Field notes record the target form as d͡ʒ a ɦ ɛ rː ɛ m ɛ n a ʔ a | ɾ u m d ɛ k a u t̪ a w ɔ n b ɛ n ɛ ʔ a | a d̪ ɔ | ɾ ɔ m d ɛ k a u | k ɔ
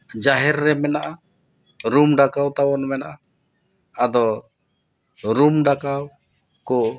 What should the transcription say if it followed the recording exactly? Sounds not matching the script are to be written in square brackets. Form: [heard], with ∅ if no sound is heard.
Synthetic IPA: d͡ʒ a ɦ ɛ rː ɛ m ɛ n a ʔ a | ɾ u m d [a] k a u t̪ a w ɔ n [m] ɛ n [a] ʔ a | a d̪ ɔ | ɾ [u] m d [a] k a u | k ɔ

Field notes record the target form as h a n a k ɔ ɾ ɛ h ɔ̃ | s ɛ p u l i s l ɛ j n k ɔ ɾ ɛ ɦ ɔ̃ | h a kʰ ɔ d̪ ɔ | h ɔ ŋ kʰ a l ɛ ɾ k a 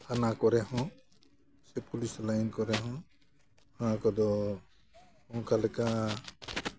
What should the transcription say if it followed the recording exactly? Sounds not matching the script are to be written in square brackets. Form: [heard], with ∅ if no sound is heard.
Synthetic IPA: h a n a k ɔ ɾ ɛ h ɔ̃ | s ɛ p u l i s l [a] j n k ɔ ɾ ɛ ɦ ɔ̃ | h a [k] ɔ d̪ ɔ | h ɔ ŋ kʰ a l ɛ [∅] k a

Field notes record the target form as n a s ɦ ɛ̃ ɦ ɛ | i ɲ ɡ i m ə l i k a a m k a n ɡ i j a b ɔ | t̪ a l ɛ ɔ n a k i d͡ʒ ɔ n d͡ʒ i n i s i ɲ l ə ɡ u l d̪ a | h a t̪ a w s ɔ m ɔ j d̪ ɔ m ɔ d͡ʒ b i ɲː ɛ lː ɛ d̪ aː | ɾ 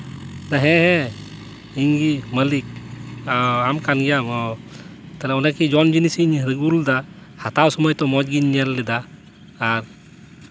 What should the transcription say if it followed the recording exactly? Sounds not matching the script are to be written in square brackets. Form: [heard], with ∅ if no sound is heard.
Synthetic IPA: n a [∅] ɦ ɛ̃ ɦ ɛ | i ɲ ɡ i m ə l i k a a m k a n ɡ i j a [m] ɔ | t̪ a l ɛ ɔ n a k i d͡ʒ ɔ n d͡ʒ i n i s i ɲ [ɾ] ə ɡ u l d̪ a | h a t̪ a w s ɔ m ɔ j [t̪] ɔ m ɔ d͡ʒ [ɡ] i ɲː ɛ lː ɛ d̪ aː | ɾ

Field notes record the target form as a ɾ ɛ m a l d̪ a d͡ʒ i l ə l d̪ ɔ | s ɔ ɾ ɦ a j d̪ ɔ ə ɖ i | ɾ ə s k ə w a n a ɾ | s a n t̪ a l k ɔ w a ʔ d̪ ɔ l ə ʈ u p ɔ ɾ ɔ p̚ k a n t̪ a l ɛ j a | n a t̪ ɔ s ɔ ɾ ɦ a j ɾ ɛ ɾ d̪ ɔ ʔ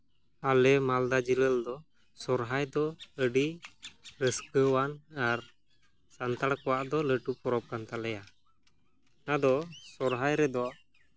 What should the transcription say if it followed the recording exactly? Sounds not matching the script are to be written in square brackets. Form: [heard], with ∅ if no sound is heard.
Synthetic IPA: a [l] ɛ m a l d̪ a d͡ʒ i l ə l d̪ ɔ | s ɔ ɾ ɦ a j d̪ ɔ ə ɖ i | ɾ ə s k ə w a n a ɾ | s a n t̪ a [ɽ] k ɔ w a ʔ d̪ ɔ l ə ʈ u p ɔ ɾ ɔ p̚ k a n t̪ a l ɛ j a | n a [d̪] ɔ s ɔ ɾ ɦ a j ɾ ɛ [∅] d̪ ɔ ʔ

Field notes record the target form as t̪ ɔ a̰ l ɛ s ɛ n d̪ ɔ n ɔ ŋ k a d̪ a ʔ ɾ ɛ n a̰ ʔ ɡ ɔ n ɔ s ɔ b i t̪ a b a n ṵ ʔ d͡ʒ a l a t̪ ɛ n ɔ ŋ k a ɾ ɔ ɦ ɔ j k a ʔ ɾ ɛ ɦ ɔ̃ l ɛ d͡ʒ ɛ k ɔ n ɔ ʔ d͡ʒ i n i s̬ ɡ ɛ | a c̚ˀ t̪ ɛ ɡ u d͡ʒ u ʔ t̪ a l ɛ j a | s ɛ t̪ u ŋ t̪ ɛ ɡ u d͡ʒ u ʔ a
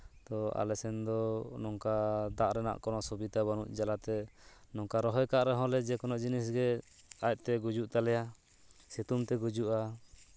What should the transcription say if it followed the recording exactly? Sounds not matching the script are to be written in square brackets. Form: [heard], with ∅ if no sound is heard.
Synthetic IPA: t̪ ɔ a̰ l ɛ s ɛ n d̪ ɔ n ɔ ŋ k a d̪ a ʔ ɾ ɛ n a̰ ʔ [k] ɔ n ɔ s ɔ b i t̪ a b a n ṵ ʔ d͡ʒ a l a t̪ ɛ n ɔ ŋ k a ɾ ɔ ɦ ɔ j k a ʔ ɾ ɛ ɦ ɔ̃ l ɛ d͡ʒ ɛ k ɔ n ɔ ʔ d͡ʒ i n i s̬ ɡ ɛ | a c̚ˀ t̪ ɛ ɡ u d͡ʒ u ʔ t̪ a l ɛ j a | s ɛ t̪ u [m] t̪ ɛ ɡ u d͡ʒ u ʔ a

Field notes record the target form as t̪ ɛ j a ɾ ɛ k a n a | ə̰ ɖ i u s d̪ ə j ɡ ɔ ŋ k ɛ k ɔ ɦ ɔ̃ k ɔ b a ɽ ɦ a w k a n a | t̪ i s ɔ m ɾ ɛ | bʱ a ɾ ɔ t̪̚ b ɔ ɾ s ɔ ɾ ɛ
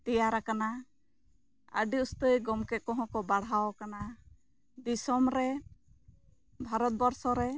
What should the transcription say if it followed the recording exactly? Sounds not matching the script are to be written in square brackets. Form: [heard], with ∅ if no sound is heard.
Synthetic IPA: t̪ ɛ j a ɾ [a] k a n a | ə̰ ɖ i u s [t̪] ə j ɡ ɔ [m] k ɛ k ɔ ɦ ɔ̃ k ɔ b a ɽ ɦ a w k a n a | [d̪] i s ɔ m ɾ ɛ | bʱ a ɾ ɔ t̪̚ b ɔ ɾ s ɔ ɾ ɛ

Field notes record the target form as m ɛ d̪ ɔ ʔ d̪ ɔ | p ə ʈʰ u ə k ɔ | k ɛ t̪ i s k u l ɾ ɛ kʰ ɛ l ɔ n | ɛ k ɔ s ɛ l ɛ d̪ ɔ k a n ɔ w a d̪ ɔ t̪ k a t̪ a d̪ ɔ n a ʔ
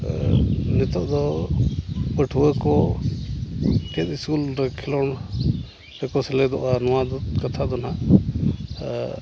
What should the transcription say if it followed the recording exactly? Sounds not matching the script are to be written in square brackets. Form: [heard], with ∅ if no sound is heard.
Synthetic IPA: [n] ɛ [t̪] ɔ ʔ d̪ ɔ | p ə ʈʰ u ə k ɔ | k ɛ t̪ i s k u l ɾ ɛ kʰ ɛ l ɔ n | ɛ k ɔ s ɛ l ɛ d̪ ɔ [ʔ] a n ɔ w a d̪ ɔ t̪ k a [t̪ʰ] a d̪ ɔ n a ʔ

